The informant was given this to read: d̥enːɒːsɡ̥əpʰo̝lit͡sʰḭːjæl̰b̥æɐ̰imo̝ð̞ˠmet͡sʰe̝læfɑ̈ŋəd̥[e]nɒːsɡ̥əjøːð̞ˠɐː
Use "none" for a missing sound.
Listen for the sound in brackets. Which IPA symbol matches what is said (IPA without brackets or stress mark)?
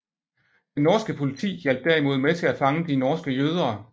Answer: i